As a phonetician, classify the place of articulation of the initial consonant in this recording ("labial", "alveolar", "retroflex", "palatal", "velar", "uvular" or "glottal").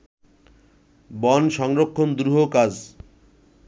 labial